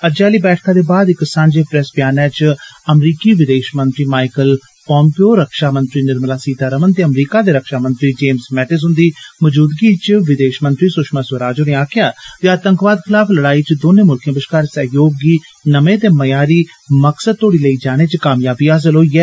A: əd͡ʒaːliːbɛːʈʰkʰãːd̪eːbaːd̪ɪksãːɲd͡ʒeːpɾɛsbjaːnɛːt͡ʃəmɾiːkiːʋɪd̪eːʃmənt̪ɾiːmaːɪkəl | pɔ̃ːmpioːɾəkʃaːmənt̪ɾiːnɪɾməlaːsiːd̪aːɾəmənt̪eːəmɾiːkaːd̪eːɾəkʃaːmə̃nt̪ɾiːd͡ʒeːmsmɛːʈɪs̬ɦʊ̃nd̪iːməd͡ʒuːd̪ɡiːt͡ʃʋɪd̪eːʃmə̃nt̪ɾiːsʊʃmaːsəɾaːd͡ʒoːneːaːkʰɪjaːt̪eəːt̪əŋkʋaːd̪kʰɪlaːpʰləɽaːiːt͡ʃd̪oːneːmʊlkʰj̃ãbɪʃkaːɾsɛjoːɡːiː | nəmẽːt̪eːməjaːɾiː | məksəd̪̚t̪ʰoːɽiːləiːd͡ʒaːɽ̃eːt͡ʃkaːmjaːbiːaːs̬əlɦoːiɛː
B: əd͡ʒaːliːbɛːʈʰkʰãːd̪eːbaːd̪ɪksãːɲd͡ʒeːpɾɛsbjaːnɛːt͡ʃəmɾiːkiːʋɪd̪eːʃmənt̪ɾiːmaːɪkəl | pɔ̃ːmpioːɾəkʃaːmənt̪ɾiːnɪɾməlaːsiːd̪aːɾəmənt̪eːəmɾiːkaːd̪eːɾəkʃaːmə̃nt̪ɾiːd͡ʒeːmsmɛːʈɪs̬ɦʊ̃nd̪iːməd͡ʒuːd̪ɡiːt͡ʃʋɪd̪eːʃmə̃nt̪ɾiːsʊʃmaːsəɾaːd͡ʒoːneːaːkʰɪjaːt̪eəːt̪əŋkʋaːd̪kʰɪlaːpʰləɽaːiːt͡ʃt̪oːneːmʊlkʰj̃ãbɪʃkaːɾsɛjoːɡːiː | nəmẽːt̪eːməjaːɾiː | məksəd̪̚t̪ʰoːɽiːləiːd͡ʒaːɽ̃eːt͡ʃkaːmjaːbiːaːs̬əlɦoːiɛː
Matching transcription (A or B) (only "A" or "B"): A